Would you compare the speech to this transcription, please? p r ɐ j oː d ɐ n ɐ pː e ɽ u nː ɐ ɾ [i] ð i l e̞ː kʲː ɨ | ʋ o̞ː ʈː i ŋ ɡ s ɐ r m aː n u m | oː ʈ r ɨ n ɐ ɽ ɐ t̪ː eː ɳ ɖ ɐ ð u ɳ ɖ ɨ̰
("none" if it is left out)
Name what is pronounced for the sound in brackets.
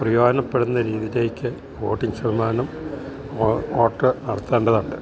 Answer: iː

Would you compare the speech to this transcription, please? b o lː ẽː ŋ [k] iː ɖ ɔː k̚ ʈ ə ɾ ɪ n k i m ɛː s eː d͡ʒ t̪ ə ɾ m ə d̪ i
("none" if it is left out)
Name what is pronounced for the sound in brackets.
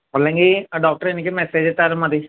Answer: ɡ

